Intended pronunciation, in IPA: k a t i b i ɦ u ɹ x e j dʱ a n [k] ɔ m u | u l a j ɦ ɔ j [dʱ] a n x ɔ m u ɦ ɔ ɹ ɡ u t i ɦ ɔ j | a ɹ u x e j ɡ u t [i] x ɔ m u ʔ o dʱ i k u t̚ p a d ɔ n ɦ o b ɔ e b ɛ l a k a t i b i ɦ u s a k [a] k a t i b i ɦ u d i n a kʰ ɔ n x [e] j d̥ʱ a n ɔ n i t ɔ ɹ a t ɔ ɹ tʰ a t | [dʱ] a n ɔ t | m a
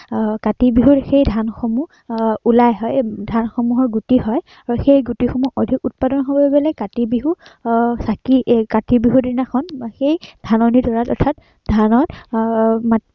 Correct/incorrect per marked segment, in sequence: incorrect, correct, correct, incorrect, correct, correct

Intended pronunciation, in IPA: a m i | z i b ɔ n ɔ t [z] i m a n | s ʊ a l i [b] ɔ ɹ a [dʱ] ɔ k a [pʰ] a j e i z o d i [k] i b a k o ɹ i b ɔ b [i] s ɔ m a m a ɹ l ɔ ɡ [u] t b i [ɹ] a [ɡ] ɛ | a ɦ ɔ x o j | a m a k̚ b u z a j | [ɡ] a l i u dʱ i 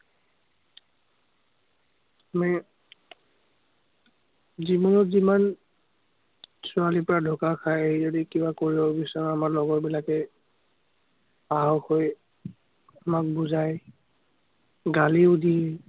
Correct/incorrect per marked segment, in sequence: correct, incorrect, correct, incorrect, correct, correct, incorrect, incorrect, incorrect, correct

